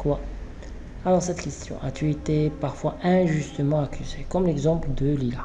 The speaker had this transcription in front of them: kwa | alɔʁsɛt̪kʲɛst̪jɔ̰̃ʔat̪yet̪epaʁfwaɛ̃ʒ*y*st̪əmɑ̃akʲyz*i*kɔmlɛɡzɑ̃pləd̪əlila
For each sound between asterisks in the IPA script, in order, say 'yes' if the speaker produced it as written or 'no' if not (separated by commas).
yes, no